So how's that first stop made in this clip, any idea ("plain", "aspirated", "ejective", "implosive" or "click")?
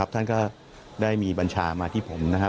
plain